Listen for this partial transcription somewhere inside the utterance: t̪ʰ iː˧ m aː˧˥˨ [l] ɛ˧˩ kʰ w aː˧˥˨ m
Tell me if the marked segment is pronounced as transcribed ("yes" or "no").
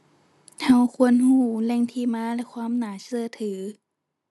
yes